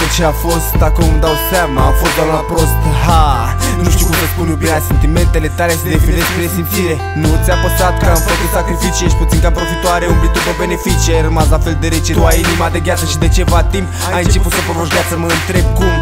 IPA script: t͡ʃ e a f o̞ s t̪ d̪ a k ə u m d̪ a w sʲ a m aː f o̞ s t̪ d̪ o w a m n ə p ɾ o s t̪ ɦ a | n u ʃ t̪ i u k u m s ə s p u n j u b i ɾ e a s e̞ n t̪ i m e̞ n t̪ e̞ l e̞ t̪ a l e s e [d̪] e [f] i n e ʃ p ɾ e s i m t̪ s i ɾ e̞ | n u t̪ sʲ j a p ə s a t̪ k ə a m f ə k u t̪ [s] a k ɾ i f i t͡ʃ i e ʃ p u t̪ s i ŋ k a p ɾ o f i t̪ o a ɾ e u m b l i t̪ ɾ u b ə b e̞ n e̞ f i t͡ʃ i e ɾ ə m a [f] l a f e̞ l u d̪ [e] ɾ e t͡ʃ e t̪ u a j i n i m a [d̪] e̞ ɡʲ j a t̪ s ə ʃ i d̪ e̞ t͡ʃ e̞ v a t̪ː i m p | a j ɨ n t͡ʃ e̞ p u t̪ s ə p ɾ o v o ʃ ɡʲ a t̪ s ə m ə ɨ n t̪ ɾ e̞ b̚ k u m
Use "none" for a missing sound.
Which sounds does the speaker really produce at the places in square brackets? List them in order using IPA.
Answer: d̪, f, s, s, e, d̪

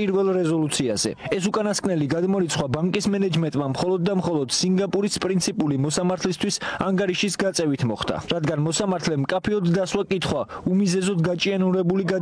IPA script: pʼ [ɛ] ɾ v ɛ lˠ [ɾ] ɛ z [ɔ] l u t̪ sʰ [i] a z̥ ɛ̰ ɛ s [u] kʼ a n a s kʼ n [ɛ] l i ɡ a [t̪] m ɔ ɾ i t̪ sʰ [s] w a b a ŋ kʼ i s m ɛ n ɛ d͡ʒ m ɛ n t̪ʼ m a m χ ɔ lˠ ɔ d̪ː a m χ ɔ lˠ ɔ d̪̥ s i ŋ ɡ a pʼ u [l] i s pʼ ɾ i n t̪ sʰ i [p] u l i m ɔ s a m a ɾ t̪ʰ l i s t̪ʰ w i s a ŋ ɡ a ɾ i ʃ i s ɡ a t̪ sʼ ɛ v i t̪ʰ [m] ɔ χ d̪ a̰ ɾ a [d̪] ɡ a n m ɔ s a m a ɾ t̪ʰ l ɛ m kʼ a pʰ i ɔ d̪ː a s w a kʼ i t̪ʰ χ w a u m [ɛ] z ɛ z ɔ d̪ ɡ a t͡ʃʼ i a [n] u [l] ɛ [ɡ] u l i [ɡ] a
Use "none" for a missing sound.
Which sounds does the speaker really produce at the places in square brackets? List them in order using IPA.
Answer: i, ɾ, ɔ, i, u, ɛ, d̪, χ, ɾ, pʼ, m, d̪, i, n, ɾ, b, ɡ

